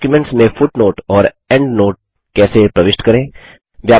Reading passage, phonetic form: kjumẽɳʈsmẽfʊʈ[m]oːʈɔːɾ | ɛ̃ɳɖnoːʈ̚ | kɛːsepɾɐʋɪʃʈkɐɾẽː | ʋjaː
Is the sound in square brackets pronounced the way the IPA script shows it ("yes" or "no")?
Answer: no